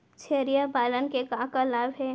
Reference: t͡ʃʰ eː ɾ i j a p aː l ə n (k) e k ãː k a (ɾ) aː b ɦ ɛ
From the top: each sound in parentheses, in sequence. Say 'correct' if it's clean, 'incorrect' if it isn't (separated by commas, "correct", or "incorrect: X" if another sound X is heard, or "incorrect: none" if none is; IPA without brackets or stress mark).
correct, incorrect: l